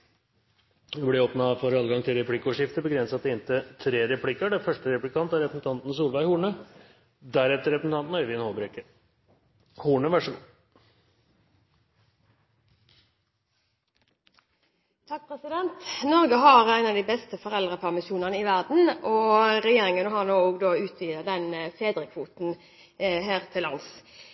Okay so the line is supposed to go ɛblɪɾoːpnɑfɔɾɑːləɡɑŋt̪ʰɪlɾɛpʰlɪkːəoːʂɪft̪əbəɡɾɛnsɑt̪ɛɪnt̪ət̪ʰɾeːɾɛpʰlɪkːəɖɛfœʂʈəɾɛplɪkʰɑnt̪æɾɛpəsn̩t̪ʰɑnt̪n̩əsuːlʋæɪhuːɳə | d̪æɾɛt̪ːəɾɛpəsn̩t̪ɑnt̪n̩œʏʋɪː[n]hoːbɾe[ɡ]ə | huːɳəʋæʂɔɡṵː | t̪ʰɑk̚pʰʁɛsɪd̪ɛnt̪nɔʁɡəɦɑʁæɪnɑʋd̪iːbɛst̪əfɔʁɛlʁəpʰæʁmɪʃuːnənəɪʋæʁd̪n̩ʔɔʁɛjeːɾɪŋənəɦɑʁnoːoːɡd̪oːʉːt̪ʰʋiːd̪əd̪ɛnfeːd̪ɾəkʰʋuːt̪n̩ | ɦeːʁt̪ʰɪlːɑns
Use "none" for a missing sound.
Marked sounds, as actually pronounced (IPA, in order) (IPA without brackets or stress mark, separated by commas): n, k